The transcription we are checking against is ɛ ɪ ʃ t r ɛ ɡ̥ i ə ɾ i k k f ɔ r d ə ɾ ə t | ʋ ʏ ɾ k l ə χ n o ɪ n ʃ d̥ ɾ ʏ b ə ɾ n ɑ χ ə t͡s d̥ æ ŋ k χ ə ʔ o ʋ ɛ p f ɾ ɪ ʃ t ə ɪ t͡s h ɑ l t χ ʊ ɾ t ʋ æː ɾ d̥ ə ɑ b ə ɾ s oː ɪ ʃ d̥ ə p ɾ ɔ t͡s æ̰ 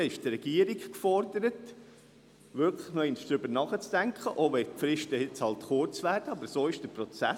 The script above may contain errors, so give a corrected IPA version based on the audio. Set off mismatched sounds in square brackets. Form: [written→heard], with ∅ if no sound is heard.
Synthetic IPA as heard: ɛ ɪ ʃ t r ɛ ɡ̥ i ə ɾ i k k f ɔ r d ə ɾ ə t | ʋ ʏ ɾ k l ə χ n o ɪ n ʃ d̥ ɾ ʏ b ə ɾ n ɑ χ ə t͡s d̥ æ ŋ k χ ə ʔ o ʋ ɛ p f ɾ ɪ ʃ t ə ɪ t͡s h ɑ l t χ ʊ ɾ [t→t͡s] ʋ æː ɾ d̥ ə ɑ b ə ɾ s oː ɪ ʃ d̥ ə p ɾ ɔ t͡s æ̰